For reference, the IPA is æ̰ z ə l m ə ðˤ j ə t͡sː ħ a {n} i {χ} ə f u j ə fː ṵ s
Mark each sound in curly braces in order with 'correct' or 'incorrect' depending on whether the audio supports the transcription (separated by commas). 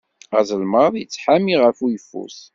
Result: incorrect, incorrect